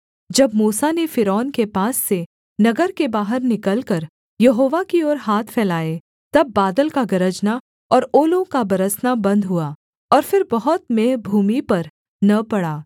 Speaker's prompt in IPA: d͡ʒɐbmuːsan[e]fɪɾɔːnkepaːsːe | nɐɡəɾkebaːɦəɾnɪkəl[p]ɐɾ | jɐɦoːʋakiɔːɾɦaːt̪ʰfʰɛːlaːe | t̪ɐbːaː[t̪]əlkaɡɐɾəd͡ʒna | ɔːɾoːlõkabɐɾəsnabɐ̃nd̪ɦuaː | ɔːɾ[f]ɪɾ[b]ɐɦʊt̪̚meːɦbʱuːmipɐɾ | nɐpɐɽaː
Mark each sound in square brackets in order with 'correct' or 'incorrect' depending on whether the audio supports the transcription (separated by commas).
correct, incorrect, incorrect, correct, correct